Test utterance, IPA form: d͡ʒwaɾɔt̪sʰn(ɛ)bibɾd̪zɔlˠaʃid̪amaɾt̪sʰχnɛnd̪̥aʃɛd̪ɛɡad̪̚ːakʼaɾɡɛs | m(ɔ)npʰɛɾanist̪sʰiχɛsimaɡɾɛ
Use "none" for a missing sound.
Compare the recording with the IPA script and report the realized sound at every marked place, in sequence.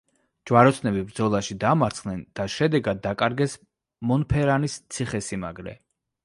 ɛ, ɔ

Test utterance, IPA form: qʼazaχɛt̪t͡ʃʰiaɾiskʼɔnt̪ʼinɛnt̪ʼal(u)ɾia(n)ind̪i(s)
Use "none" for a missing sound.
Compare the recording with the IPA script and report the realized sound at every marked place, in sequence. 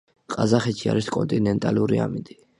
u, m, none

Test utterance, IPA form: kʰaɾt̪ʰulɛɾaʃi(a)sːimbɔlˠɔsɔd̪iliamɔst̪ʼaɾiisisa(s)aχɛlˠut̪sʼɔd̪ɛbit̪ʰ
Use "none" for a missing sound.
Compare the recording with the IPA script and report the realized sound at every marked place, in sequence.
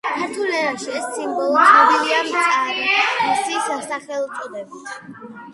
ɛ, s

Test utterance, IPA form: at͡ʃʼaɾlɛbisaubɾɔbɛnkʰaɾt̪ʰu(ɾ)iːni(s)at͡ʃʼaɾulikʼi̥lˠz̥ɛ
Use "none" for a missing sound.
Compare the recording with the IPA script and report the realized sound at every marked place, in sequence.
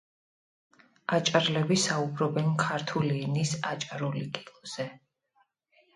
l, s

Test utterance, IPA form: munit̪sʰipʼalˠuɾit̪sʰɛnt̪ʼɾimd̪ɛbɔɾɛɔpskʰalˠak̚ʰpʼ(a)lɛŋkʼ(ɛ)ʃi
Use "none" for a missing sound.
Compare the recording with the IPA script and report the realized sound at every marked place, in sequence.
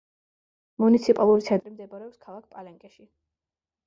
a, ɛ

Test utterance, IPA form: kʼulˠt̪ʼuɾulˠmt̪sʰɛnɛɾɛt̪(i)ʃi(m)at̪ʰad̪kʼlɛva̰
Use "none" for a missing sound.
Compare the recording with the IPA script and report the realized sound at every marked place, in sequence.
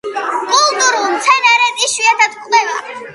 i, none

